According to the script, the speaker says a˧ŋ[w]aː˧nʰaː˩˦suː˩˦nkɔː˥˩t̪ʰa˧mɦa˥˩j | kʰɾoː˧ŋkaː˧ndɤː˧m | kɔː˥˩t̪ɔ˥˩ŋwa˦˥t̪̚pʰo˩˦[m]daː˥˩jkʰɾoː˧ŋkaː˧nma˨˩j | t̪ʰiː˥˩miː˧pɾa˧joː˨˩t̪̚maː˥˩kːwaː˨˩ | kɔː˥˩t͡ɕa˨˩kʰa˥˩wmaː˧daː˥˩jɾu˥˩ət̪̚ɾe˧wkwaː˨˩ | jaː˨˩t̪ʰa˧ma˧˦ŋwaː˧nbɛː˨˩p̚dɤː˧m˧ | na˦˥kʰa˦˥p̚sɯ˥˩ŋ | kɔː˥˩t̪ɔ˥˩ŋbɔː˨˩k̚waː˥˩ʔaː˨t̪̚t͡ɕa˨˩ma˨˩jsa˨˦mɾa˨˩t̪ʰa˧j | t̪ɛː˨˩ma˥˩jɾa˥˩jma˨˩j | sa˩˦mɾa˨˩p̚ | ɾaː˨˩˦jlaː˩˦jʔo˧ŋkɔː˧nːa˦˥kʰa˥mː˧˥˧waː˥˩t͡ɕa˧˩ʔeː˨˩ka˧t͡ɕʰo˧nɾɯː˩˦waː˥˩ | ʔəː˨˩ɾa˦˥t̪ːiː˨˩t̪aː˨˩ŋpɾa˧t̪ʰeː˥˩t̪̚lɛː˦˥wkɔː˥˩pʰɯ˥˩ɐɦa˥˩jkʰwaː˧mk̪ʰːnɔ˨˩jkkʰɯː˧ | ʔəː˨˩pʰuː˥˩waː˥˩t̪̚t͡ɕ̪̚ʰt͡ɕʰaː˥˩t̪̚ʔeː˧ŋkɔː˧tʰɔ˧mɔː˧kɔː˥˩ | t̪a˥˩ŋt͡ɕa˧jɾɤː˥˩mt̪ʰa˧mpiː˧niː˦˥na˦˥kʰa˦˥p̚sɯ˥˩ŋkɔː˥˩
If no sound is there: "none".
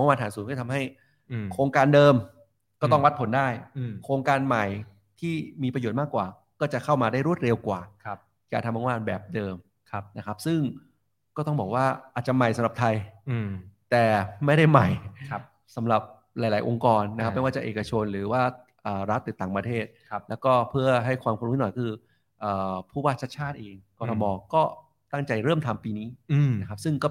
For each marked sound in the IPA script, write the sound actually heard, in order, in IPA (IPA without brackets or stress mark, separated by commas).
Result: w, n